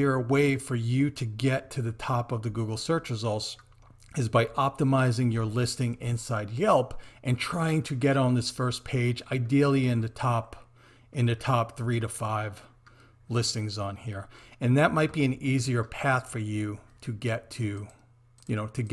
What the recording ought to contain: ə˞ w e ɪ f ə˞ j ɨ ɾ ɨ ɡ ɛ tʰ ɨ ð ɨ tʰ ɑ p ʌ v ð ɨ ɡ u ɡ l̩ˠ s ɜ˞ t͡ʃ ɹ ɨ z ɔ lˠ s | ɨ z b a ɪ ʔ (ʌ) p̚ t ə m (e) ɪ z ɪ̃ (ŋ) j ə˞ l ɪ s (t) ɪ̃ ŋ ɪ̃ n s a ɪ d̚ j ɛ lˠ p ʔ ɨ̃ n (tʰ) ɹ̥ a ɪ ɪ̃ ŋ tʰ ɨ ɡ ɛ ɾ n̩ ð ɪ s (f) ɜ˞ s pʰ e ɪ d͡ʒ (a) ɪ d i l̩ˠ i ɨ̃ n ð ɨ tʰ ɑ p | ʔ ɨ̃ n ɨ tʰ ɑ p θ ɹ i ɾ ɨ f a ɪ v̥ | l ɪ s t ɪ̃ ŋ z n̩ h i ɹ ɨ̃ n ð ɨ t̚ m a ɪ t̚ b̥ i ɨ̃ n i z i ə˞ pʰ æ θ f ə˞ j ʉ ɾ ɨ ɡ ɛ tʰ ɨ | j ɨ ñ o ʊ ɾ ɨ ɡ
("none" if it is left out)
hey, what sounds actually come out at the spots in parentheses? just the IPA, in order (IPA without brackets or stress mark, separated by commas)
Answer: ɑ, a, ŋ, t, tʰ, f, a